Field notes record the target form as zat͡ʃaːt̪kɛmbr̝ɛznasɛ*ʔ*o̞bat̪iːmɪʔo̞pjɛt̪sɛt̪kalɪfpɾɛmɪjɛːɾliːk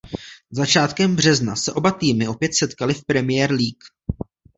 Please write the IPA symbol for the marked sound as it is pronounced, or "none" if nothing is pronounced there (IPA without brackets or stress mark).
ʔ